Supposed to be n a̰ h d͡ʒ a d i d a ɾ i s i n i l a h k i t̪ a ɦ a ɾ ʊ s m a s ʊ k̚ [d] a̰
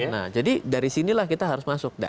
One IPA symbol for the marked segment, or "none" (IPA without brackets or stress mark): d